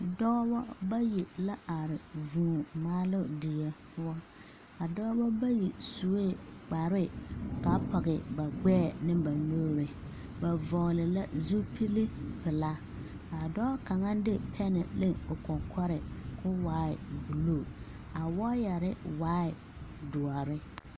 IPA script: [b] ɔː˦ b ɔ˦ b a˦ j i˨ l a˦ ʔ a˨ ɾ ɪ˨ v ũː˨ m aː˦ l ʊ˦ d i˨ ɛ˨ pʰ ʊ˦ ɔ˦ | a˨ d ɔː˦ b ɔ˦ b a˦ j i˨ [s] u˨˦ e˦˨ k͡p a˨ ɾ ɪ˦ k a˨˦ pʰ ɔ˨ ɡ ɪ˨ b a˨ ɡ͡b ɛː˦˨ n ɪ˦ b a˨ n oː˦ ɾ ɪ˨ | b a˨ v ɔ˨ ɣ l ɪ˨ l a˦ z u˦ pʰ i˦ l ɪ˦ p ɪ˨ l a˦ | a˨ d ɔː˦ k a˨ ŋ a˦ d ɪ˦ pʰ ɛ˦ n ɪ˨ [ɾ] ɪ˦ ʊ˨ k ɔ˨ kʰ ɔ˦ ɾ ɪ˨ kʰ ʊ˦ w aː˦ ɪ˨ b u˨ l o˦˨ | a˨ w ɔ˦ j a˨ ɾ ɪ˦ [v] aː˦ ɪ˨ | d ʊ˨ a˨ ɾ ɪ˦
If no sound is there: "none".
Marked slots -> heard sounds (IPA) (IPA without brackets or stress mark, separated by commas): d, s, l, w